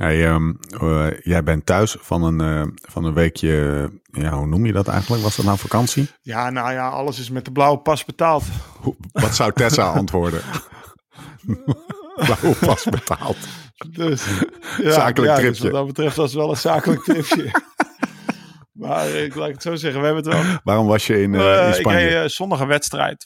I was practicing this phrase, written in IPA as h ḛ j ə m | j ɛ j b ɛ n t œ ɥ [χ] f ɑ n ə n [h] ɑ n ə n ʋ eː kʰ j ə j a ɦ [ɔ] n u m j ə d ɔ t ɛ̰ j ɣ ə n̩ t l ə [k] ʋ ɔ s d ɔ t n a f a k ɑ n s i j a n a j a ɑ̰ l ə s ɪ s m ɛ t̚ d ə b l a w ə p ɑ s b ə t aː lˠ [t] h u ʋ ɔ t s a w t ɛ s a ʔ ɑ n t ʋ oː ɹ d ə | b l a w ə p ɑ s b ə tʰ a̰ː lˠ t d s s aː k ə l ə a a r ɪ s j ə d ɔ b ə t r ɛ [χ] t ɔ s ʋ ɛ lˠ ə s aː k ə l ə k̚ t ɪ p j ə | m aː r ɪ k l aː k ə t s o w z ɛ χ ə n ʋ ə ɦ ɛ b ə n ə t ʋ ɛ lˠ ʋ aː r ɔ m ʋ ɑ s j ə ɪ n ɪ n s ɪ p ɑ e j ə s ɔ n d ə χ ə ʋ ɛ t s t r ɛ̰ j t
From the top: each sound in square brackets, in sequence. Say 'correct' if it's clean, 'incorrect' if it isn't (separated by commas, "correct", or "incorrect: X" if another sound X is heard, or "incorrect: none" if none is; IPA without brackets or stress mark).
incorrect: s, incorrect: f, incorrect: u, correct, correct, incorrect: f